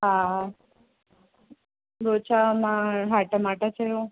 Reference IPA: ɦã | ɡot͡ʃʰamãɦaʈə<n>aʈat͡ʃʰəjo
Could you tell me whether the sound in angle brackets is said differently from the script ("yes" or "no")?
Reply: yes